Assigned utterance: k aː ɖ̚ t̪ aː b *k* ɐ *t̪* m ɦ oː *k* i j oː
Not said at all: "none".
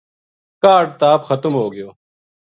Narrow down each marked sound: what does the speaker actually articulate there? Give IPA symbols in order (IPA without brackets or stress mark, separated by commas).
x, t̪, ɡ